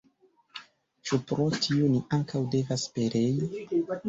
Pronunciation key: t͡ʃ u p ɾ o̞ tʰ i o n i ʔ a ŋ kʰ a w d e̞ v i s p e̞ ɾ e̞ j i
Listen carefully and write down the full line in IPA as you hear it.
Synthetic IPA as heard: t͡ʃ u p ɾ o̞ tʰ i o n i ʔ a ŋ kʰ a w d e̞ v a s p e̞ ɾ e̞ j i